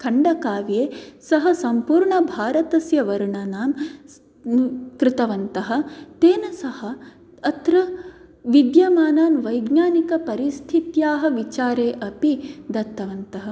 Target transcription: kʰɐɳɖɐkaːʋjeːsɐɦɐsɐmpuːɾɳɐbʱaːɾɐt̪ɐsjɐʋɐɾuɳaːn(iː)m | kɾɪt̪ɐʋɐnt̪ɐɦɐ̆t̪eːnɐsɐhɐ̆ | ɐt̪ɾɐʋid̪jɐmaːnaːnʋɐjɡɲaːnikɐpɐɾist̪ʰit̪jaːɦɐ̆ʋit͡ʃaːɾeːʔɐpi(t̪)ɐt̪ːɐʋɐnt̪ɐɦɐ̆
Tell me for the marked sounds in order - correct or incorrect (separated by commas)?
incorrect, incorrect